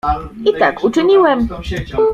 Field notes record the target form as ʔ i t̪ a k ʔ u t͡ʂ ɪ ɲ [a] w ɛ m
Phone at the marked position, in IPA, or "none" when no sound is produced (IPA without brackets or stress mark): i